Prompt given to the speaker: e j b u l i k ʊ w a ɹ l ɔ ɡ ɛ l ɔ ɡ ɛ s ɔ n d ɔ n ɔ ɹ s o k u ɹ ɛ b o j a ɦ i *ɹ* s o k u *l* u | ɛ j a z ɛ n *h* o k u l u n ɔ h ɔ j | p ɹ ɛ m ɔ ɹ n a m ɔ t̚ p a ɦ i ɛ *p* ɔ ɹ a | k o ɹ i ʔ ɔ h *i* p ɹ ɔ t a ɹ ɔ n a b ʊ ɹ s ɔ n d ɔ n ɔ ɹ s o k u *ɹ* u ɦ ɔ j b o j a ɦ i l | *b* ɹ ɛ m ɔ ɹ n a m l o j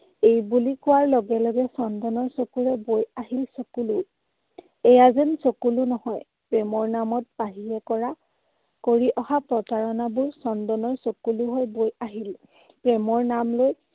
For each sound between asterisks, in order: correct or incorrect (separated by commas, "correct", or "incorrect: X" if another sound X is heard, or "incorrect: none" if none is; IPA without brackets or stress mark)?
incorrect: l, correct, incorrect: s, incorrect: k, incorrect: a, incorrect: l, incorrect: p